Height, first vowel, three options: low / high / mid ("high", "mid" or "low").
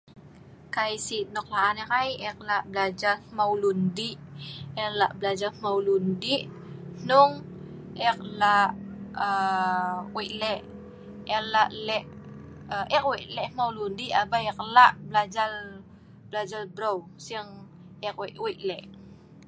low